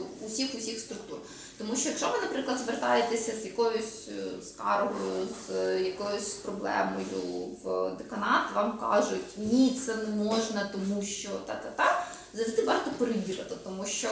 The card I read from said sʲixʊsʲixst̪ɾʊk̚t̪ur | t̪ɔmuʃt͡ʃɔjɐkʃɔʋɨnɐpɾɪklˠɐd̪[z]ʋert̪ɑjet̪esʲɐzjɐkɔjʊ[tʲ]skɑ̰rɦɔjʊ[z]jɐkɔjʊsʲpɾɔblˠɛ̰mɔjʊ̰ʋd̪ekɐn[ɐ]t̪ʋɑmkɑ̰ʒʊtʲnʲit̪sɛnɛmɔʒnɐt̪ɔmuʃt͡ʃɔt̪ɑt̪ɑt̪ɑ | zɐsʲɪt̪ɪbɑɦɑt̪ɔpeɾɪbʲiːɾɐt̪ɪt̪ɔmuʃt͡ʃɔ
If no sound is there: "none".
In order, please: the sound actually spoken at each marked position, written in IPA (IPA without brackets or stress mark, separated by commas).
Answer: z, sʲ, z, ɑ